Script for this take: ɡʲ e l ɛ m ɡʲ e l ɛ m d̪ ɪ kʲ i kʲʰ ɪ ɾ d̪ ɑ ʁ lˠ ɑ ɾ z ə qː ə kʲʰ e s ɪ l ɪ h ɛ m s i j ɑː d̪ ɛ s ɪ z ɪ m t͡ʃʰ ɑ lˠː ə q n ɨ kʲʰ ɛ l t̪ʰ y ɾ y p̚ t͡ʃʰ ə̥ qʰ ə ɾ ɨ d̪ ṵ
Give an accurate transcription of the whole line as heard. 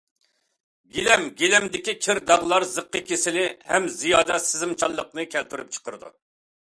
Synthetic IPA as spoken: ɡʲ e l ɛ m ɡʲ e l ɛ m d̪ ɪ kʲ i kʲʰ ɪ ɾ d̪ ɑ ʁ lˠ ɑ ɾ z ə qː ə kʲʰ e s ɪ l ɪ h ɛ m z i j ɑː d̪ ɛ s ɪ z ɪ m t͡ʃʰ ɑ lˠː ə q n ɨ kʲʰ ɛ l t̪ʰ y ɾ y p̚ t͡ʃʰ ə̥ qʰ ə ɾ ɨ d̪ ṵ